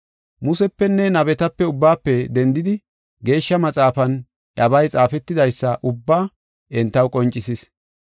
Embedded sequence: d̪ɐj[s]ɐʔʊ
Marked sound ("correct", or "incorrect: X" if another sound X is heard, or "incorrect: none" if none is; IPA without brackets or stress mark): incorrect: sː